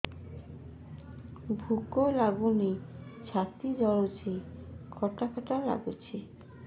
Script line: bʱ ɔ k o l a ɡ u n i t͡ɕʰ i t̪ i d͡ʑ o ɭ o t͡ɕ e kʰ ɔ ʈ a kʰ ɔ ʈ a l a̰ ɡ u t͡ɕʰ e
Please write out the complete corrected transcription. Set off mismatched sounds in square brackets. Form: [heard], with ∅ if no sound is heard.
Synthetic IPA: bʱ [u] k o l a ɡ u n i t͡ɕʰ [a] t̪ i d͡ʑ [ɔ] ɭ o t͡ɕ e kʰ ɔ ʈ a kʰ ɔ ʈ a l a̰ ɡ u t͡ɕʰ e